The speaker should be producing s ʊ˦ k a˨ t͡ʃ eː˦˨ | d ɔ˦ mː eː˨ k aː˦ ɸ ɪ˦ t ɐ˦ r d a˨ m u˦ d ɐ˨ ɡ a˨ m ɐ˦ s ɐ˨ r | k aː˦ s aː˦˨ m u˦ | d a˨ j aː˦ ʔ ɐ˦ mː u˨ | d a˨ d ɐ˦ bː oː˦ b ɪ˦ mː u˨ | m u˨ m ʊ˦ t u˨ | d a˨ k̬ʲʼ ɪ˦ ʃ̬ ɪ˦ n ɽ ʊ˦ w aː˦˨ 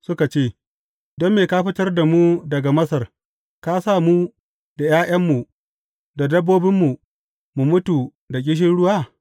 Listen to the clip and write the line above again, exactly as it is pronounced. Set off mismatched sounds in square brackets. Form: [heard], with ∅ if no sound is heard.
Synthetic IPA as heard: s ʊ˦ k a˨ t͡ʃ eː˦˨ | d ɔ˦ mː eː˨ k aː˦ ɸ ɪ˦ t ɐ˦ r d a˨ m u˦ d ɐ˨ ɡ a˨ m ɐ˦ s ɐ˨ r | k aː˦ s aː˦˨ m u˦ | d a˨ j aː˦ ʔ ɐ˦ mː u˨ | d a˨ d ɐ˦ bː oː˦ b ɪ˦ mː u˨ | m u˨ m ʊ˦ t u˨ | d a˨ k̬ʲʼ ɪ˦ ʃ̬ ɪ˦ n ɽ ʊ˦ w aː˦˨